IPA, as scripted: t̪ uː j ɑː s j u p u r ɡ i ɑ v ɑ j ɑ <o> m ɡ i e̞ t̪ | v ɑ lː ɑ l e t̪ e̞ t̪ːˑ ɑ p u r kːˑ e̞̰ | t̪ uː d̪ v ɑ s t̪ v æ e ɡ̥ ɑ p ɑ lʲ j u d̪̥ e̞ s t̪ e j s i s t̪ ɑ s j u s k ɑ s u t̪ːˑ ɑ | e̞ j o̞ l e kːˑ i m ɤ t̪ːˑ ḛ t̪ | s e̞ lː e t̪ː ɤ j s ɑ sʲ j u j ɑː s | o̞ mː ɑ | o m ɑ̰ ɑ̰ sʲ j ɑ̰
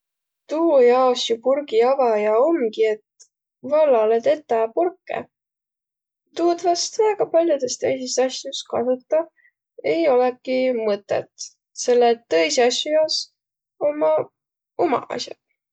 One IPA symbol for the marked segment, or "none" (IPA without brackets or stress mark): o